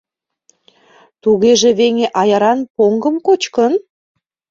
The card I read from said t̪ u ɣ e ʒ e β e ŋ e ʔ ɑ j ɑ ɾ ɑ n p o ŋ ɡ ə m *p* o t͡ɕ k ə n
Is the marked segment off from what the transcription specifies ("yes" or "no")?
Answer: yes